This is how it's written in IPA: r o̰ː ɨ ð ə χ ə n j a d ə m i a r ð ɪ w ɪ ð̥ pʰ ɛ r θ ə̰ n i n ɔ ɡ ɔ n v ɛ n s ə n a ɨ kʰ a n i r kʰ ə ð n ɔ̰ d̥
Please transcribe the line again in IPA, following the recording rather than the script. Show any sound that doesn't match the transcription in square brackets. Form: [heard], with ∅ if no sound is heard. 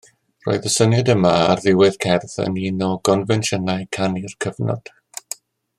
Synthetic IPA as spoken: r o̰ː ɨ ð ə [s] ə n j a d ə m [a] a r ð ɪ w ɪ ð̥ [kʰ] ɛ r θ ə̰ n i n ɔ ɡ ɔ n v ɛ n [ʃ] ə n a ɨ kʰ a n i r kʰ ə [v] n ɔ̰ d̥